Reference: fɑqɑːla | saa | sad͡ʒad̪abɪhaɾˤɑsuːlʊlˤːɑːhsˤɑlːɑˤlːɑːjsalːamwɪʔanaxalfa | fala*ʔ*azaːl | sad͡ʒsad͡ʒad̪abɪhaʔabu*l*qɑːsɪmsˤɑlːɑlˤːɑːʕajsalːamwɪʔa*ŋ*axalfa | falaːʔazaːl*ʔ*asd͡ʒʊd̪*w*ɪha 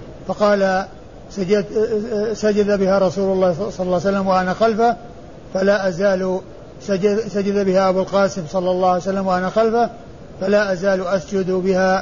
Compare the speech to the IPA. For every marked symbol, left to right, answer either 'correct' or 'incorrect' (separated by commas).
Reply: correct, correct, incorrect, correct, incorrect